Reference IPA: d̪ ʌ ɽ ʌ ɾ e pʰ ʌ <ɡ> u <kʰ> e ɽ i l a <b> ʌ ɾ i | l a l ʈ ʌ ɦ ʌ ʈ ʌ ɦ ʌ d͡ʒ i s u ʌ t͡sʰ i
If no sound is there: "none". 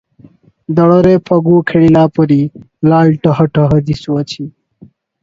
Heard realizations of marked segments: ɡ, kʰ, p

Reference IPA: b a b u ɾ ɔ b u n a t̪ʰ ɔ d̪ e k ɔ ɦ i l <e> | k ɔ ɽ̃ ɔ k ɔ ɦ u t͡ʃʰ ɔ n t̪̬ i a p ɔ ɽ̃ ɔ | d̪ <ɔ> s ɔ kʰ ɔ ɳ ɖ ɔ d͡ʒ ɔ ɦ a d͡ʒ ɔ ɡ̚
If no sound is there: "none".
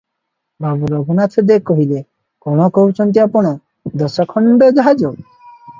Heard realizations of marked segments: e, ɔ

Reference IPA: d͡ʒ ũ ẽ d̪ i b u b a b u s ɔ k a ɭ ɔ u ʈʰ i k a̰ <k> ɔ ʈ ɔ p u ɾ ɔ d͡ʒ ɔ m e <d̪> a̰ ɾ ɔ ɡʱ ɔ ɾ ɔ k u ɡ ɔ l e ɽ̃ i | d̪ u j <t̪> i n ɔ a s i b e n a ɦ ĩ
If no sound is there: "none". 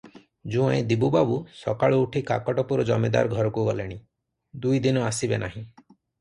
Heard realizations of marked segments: k, d̪, d̪

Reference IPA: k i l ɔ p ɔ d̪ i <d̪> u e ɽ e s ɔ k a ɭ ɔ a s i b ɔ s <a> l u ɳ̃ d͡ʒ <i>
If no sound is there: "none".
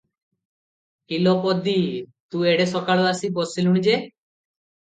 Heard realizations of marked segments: t̪, i, e

